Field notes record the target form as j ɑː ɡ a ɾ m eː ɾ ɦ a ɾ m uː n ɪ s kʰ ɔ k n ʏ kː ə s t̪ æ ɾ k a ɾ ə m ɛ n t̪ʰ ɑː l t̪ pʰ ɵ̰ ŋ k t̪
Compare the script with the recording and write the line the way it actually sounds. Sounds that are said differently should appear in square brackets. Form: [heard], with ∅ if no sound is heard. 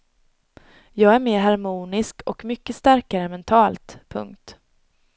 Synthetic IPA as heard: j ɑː ɡ [æ] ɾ m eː ɾ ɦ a ɾ m uː n ɪ s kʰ ɔ k [m] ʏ kː ə s t̪ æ ɾ k a ɾ ə m ɛ n t̪ʰ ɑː l t̪ pʰ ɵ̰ ŋ k t̪